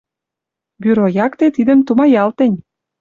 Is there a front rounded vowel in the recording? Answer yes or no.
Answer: yes